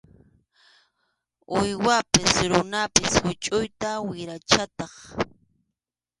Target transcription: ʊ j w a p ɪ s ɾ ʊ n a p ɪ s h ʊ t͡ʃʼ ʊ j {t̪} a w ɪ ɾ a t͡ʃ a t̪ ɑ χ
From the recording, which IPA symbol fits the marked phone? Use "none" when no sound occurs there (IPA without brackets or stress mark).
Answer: t̪